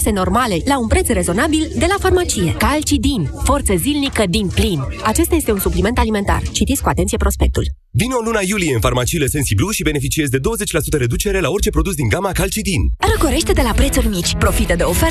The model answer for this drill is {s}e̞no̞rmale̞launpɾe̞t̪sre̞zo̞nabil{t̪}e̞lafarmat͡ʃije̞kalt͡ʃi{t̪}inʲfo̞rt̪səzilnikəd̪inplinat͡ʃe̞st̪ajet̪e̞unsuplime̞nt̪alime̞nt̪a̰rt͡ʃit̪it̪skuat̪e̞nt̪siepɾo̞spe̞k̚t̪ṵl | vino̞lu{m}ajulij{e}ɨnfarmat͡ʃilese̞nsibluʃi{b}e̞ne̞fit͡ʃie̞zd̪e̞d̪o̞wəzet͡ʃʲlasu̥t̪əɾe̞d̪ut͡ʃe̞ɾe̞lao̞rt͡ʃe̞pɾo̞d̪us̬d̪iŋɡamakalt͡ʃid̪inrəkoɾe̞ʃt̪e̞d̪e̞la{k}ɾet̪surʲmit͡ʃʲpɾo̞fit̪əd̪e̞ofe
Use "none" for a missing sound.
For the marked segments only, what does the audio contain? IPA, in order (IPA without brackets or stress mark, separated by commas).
s, d̪, d̪, n, e, b, p